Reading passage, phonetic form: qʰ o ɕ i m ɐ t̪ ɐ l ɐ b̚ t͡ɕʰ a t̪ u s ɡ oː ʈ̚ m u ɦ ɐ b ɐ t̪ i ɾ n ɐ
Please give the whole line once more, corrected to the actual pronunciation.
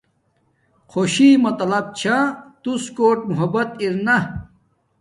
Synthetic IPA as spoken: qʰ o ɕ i m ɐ t̪ ɐ l ɐ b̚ t͡ɕʰ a t̪ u s k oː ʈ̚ m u ɦ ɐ b ɐ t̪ i ɾ n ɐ